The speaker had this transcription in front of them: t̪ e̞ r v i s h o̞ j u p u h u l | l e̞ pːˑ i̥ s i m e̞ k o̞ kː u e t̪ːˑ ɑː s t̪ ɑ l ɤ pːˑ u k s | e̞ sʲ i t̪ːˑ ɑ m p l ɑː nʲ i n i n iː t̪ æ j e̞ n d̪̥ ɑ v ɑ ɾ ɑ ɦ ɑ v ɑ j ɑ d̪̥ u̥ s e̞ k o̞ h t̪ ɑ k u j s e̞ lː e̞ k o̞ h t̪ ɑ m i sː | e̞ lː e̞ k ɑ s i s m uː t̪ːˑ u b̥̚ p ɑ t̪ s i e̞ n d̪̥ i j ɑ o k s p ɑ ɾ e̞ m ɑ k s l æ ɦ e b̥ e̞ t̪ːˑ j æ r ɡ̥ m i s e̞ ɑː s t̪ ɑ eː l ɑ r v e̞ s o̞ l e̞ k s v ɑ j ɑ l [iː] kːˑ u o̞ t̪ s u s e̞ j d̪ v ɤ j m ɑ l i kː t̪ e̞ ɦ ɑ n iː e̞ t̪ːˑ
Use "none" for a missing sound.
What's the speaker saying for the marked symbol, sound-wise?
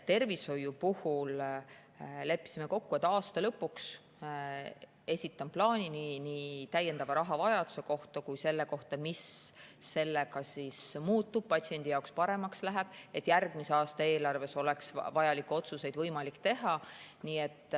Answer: i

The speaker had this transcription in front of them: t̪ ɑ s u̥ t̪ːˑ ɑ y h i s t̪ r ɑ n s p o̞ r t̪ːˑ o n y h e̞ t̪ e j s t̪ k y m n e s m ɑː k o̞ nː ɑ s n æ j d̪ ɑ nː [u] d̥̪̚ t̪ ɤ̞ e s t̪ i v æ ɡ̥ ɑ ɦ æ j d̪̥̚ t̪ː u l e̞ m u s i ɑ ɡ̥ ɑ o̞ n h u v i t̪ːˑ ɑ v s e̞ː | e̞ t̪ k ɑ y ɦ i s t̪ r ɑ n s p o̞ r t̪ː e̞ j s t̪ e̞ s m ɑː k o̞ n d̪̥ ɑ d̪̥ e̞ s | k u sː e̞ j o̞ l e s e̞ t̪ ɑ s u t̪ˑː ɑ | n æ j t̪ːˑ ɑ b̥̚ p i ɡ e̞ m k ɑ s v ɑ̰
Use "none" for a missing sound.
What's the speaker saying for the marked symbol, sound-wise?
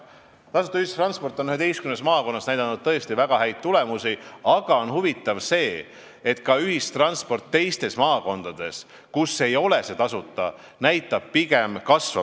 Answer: u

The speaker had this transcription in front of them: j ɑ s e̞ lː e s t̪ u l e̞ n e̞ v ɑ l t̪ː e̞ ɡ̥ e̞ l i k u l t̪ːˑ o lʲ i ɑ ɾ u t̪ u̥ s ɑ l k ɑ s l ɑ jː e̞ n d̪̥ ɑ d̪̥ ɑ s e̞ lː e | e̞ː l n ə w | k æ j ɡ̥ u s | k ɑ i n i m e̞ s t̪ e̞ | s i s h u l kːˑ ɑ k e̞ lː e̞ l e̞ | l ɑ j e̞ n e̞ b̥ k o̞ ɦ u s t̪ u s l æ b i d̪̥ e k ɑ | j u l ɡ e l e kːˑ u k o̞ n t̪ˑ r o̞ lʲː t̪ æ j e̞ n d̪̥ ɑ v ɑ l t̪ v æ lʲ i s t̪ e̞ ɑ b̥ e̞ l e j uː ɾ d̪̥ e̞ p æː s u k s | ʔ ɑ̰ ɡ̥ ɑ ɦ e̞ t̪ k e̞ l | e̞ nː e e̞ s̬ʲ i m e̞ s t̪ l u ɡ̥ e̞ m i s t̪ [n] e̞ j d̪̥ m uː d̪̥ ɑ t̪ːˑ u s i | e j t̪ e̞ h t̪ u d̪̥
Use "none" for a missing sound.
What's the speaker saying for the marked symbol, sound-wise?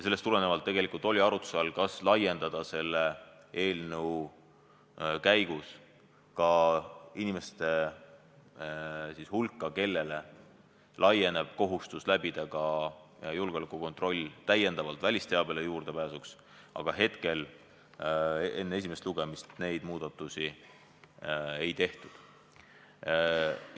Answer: n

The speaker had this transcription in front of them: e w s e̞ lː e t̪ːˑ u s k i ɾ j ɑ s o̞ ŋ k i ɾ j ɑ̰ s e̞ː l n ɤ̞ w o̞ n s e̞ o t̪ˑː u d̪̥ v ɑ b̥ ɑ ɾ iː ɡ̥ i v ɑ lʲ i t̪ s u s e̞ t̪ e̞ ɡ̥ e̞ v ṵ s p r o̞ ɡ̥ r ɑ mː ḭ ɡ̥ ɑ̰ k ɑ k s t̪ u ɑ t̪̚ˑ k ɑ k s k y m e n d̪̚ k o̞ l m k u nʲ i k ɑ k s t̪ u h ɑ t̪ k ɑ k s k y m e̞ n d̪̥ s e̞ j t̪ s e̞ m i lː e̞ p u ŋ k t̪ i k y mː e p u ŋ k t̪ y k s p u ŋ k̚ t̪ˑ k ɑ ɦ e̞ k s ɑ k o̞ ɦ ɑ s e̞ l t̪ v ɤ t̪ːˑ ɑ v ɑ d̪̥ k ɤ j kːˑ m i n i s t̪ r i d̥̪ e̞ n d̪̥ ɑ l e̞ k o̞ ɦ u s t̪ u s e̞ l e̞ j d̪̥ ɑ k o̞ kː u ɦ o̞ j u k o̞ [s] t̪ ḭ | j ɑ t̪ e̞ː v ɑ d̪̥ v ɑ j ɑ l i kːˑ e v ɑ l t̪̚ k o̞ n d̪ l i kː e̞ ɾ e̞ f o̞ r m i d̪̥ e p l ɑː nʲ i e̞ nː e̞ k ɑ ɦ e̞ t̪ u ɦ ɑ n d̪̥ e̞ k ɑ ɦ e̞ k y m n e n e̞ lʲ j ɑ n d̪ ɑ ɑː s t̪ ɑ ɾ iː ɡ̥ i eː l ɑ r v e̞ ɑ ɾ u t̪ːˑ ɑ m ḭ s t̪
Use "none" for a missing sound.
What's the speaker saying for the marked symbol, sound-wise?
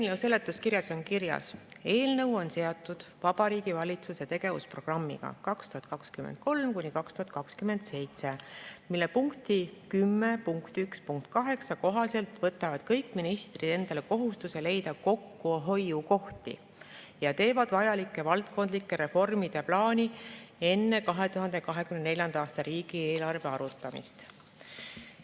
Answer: h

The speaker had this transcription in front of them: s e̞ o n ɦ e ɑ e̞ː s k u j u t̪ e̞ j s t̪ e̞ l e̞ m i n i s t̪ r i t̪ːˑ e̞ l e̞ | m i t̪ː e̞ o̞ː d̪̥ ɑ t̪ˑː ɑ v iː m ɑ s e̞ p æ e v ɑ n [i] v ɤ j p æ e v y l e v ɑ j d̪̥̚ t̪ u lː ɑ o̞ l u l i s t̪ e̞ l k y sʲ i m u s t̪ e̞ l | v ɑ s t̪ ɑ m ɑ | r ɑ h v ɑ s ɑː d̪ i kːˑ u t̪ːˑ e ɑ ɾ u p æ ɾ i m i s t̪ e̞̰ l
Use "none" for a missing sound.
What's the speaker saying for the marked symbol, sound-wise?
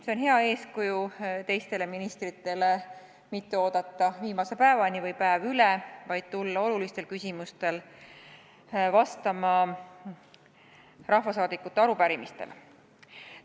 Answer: i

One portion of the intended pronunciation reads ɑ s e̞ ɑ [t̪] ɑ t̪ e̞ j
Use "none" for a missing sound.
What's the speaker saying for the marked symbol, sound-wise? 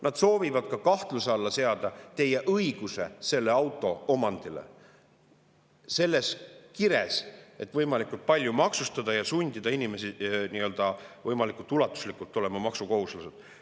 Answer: d̪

